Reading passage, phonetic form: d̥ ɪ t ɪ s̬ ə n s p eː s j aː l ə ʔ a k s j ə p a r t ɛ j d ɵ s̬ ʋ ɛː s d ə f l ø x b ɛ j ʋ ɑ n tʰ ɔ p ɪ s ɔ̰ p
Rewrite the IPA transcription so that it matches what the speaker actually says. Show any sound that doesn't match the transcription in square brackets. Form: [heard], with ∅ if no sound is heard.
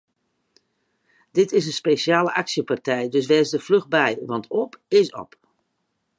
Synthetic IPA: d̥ ɪ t ɪ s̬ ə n s p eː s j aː l ə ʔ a k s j ə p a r t ɛ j d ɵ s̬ ʋ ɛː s d ə f l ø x b ɛ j ʋ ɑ n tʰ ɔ p ɪ s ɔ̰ p